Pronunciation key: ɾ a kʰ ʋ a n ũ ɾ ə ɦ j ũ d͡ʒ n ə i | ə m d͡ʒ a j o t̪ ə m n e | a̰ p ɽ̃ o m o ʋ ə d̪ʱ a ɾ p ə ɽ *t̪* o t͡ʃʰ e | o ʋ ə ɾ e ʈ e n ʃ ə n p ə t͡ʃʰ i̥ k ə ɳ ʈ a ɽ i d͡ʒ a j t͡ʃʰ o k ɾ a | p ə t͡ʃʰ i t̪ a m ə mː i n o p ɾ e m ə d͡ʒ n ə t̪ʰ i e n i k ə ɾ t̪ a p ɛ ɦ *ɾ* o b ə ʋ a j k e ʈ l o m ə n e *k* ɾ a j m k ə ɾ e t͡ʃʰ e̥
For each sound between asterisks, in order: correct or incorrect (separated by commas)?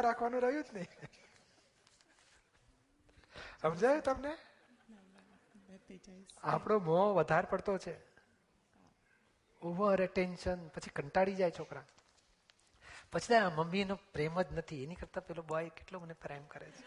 correct, incorrect, incorrect